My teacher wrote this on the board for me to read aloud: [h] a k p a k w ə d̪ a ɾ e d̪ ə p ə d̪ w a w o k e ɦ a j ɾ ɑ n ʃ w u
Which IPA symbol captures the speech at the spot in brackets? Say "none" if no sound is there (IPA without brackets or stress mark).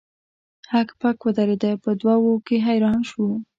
h